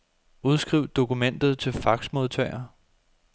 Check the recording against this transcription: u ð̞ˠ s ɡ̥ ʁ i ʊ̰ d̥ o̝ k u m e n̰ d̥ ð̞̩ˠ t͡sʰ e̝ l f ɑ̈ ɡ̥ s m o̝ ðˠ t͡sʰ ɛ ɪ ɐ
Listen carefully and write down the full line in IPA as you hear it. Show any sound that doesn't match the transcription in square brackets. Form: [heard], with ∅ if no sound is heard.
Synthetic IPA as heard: u ð̞ˠ s ɡ̥ ʁ i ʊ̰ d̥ o̝ k u m e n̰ d̥ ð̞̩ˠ t͡sʰ e̝ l f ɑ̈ ɡ̥ s m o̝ ðˠ t͡sʰ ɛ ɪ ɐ